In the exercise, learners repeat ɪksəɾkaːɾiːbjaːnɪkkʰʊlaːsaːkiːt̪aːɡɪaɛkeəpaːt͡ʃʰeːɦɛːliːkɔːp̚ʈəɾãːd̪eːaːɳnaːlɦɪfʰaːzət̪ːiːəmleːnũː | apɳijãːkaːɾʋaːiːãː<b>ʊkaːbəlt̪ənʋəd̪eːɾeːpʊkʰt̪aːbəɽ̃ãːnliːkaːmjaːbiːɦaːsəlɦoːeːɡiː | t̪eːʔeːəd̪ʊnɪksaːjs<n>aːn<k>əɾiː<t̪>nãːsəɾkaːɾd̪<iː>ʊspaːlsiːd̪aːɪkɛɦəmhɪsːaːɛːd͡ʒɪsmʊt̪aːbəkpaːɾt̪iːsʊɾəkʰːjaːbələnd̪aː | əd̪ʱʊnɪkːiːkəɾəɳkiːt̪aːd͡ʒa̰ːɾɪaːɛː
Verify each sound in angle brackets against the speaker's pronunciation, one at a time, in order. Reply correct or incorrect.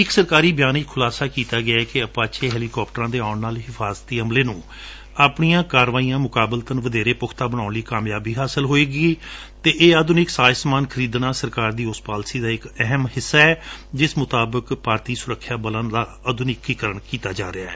incorrect, incorrect, incorrect, incorrect, correct

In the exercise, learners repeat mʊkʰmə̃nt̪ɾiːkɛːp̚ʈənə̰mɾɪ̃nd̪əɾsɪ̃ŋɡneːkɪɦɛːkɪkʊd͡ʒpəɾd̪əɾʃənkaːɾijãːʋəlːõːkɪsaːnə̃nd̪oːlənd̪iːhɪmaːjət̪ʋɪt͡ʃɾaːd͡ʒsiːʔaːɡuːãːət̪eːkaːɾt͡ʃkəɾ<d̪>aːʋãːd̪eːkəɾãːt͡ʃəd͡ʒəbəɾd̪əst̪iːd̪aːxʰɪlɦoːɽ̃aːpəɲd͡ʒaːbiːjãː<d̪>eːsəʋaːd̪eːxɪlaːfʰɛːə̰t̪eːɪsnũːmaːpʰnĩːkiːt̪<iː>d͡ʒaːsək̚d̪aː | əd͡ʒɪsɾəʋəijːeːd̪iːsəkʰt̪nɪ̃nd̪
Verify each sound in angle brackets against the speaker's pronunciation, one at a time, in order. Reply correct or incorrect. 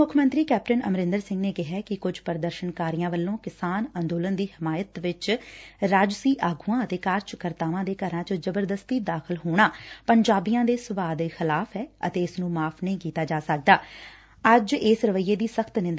incorrect, correct, incorrect

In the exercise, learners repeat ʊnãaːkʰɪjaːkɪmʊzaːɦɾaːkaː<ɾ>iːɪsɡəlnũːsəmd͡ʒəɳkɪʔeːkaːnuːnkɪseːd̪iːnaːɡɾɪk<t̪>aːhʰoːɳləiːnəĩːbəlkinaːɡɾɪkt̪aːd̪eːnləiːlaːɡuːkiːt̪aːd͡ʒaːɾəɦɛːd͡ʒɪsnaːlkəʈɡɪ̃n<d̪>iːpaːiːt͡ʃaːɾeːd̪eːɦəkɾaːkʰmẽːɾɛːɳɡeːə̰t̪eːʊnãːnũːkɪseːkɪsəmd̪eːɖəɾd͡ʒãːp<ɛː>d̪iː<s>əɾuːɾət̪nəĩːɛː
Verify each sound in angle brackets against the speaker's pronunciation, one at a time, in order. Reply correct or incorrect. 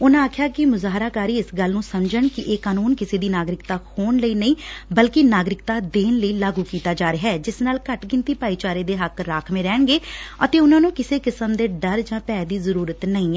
correct, correct, incorrect, correct, incorrect

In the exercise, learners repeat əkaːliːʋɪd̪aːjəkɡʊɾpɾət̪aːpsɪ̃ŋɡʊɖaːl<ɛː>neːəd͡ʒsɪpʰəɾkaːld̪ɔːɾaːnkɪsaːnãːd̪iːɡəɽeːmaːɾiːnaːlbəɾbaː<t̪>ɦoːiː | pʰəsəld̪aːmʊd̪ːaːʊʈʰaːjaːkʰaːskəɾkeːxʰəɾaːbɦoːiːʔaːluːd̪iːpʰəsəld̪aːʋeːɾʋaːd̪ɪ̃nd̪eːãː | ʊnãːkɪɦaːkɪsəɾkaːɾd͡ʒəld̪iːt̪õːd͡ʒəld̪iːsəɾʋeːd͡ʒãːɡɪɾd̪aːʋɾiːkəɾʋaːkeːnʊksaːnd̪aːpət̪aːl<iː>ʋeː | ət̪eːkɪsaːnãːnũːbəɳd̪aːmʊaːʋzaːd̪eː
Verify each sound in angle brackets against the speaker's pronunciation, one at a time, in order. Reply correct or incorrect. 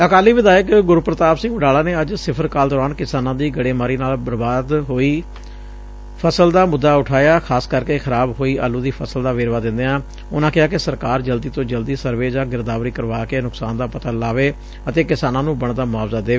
incorrect, incorrect, incorrect

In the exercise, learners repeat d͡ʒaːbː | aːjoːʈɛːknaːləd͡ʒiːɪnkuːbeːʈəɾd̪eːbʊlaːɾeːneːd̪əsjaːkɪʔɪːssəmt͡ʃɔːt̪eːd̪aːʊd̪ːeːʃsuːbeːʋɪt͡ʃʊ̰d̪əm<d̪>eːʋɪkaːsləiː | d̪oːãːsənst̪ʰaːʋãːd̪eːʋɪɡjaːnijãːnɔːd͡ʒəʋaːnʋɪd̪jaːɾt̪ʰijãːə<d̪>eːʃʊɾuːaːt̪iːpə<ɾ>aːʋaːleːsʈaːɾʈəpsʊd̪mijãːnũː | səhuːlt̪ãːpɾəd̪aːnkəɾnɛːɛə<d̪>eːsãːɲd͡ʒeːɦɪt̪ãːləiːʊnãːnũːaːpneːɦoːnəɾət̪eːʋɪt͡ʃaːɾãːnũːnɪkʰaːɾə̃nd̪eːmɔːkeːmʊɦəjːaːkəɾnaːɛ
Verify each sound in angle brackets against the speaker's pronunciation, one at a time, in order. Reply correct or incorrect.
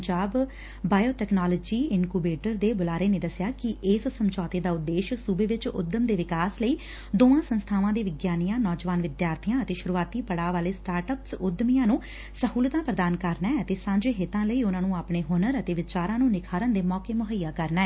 correct, incorrect, incorrect, incorrect

